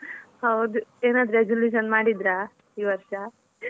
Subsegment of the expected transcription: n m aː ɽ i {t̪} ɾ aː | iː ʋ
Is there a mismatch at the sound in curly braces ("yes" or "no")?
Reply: yes